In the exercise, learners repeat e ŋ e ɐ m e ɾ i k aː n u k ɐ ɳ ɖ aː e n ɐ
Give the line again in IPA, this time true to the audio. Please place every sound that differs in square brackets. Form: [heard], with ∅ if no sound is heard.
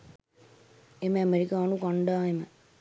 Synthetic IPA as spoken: e [m] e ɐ m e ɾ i k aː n u k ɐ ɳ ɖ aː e [m] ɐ